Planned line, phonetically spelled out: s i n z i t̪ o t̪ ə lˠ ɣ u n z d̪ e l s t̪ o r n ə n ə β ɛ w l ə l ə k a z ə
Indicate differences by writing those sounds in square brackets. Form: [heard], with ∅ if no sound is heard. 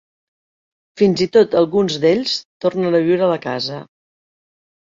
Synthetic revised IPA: [f] i n z i t̪ o t̪ ə lˠ ɣ u n z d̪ e [ʎ] s t̪ o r n ə n ə β [i] w [ɾ] ə l ə k a z ə